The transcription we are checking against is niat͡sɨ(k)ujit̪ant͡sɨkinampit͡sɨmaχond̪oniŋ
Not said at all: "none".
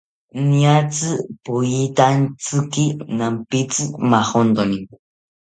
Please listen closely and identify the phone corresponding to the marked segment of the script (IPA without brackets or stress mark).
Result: p